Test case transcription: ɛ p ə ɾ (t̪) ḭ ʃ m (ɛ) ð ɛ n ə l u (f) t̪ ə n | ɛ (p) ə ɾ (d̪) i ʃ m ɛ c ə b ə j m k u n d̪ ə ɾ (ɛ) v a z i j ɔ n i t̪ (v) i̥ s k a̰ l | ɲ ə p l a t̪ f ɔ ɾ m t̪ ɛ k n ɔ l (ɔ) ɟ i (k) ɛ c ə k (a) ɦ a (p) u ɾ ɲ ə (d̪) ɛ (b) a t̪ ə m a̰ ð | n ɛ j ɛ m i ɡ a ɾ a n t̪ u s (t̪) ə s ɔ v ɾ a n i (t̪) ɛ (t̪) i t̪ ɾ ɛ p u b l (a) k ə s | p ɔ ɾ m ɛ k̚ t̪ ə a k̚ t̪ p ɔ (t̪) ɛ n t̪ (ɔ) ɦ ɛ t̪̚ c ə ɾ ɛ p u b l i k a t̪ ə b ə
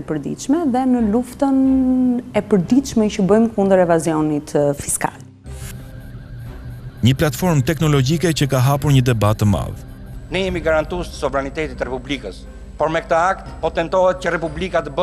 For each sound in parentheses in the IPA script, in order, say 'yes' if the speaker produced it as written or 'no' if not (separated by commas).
no, yes, yes, yes, yes, yes, no, yes, yes, yes, yes, yes, yes, yes, yes, yes, no, yes, yes